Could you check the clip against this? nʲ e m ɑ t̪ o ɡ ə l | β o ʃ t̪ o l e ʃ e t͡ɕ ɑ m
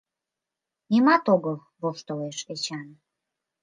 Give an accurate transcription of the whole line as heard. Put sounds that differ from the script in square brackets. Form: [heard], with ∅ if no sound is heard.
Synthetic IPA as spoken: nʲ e m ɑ t̪ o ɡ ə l | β o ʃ t̪ o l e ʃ e t͡ɕ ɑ [n]